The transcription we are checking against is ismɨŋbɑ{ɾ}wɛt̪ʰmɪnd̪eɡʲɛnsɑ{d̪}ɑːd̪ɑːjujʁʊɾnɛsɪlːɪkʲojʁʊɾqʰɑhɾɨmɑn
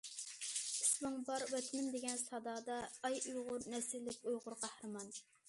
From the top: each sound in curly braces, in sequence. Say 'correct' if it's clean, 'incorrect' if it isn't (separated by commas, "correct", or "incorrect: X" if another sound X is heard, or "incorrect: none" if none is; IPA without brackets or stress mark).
correct, correct